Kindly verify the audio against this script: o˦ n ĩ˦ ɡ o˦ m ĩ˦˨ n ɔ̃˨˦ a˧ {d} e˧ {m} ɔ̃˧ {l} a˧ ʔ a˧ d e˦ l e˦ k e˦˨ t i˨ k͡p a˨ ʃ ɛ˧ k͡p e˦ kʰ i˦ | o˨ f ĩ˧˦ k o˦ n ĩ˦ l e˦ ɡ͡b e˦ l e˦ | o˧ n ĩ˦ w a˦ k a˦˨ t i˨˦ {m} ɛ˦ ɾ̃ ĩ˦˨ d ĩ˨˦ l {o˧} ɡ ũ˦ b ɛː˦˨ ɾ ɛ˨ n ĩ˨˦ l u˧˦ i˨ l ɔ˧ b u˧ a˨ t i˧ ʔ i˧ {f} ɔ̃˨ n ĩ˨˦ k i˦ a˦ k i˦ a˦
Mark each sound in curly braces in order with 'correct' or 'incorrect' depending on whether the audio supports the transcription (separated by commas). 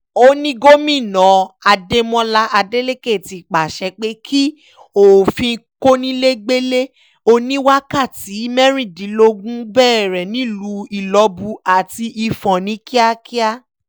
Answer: correct, correct, correct, correct, correct, correct